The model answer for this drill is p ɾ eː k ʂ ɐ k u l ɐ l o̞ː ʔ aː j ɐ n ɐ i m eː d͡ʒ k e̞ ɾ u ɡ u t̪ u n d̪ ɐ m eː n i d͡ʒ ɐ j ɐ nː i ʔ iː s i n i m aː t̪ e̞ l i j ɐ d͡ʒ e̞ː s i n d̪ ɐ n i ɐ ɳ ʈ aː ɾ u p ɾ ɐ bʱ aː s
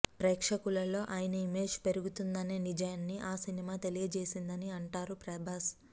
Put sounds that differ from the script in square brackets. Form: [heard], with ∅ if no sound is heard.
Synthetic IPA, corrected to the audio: p ɾ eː k ʂ ɐ k u l ɐ l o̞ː ʔ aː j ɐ n ɐ i m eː d͡ʒ [p] e̞ ɾ u ɡ u t̪ u n d̪ ɐ [n] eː n i d͡ʒ ɐ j ɐ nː i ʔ [aː] s i n i m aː t̪ e̞ l i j ɐ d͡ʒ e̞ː s i n d̪ ɐ n i ɐ ɳ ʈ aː ɾ u p ɾ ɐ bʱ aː s

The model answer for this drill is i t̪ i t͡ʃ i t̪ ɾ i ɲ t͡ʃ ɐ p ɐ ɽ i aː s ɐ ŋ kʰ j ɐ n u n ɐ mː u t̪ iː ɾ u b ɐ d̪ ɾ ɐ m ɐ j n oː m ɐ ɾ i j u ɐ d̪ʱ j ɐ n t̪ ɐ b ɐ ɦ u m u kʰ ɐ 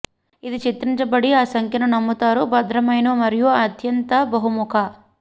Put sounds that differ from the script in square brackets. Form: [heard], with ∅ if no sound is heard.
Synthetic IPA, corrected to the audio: i [d̪] i t͡ʃ i t̪ ɾ i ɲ t͡ʃ ɐ [b] ɐ ɽ i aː s ɐ ŋ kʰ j ɐ n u n ɐ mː u t̪ [aː] ɾ u b ɐ d̪ ɾ ɐ m ɐ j n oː m ɐ ɾ i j u ɐ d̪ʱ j ɐ n t̪ ɐ b ɐ ɦ u m u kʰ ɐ

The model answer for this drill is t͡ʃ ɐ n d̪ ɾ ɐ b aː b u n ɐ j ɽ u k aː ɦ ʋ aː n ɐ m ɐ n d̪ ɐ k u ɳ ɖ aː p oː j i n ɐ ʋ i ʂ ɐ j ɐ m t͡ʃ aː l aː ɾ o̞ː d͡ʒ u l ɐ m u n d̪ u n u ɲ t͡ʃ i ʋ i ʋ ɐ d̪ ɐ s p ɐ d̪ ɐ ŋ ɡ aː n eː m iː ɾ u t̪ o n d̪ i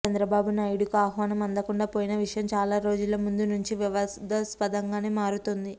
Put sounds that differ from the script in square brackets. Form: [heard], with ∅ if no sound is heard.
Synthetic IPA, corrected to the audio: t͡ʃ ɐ n d̪ ɾ ɐ b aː b u n ɐ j ɽ u k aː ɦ ʋ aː n ɐ m ɐ n d̪ ɐ k u ɳ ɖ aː p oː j i n ɐ ʋ i ʂ ɐ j ɐ m t͡ʃ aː l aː ɾ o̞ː d͡ʒ u l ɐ m u n d̪ u n u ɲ t͡ʃ i ʋ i ʋ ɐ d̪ ɐ s p ɐ d̪ ɐ ŋ ɡ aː n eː m [aː] ɾ u t̪ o n d̪ i

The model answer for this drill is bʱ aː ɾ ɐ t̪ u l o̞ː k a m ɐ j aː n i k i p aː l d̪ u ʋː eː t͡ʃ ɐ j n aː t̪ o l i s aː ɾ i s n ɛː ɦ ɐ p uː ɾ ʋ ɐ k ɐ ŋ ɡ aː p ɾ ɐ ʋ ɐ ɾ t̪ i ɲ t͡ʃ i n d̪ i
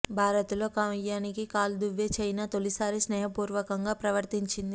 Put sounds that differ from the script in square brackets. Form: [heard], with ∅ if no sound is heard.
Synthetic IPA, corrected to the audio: bʱ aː ɾ ɐ t̪ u l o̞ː k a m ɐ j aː n i k i [k] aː l d̪ u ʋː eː t͡ʃ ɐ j n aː t̪ o l i s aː ɾ i s n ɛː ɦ ɐ p uː ɾ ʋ ɐ k ɐ ŋ ɡ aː p ɾ ɐ ʋ ɐ ɾ t̪ i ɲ t͡ʃ i n d̪ i

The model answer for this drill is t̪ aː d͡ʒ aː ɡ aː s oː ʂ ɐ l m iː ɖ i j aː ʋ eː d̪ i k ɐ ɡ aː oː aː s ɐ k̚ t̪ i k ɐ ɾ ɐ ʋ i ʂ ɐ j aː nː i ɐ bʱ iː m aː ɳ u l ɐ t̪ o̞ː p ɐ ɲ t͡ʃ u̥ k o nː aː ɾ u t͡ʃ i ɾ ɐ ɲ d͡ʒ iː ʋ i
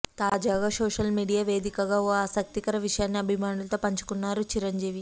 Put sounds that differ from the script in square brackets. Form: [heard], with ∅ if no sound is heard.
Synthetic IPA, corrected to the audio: t̪ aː d͡ʒ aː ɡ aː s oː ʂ ɐ l m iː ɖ i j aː ʋ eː d̪ i k ɐ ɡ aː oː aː s ɐ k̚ t̪ i k ɐ ɾ ɐ ʋ i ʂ ɐ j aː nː i ɐ bʱ [i] m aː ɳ u l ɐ t̪ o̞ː p ɐ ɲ t͡ʃ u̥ k [u] nː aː ɾ u t͡ʃ i ɾ ɐ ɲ d͡ʒ iː ʋ i

